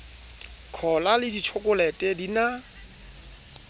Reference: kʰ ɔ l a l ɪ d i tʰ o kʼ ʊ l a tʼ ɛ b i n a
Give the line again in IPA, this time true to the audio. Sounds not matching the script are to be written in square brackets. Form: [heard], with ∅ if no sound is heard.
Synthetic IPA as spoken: kʰ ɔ l a l ɪ d i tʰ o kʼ ʊ l [ɛ] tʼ ɛ [d] i n a